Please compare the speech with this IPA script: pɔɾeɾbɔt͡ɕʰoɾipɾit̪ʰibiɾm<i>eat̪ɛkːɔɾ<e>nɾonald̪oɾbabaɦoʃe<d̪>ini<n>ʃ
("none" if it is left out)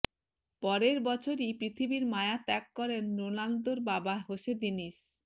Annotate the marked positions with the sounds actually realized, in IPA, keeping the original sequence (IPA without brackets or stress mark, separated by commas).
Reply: a, e, d̪, none